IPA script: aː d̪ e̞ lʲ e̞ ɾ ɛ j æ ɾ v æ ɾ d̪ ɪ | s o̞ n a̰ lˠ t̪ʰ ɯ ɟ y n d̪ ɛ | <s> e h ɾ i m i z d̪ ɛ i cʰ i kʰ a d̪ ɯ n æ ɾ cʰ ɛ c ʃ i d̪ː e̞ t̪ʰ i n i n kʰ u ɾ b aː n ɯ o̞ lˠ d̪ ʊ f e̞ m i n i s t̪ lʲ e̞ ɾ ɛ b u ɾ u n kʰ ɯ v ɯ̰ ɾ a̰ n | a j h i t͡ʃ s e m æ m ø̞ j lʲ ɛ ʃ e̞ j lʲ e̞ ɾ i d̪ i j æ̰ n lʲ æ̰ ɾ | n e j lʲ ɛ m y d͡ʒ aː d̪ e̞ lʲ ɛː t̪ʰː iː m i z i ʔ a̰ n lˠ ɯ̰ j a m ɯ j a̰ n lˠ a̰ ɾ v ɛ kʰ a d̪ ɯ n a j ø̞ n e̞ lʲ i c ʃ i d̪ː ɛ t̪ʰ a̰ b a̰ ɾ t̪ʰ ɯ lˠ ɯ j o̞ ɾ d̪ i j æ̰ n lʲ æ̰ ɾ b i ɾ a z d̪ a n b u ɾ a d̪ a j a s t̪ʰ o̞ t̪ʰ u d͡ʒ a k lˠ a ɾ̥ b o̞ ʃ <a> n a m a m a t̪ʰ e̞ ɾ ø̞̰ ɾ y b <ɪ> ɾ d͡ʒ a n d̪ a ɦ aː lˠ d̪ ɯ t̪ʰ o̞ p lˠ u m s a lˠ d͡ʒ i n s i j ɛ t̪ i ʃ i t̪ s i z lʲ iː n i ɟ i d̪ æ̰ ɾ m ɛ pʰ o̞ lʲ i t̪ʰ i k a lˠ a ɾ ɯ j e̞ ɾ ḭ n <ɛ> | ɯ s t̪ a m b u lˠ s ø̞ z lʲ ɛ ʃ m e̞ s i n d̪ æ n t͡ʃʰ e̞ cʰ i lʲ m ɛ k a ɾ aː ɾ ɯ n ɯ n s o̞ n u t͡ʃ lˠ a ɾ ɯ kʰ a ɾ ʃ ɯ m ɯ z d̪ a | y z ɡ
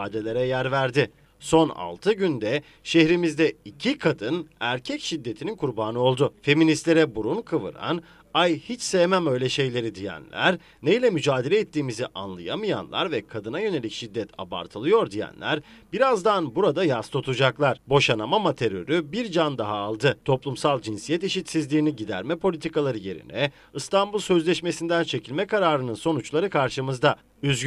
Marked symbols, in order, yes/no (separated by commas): no, yes, no, yes